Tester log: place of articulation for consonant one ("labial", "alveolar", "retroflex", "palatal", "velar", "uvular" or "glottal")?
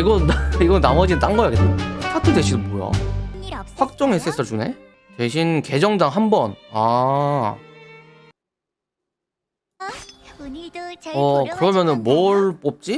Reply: velar